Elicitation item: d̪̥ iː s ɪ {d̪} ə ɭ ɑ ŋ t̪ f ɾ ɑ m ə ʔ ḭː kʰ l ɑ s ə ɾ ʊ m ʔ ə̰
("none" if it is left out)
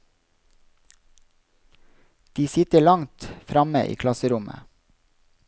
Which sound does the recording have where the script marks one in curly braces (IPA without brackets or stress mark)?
t̪